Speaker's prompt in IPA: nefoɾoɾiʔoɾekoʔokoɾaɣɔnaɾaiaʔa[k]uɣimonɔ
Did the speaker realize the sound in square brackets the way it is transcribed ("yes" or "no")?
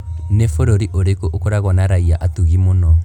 no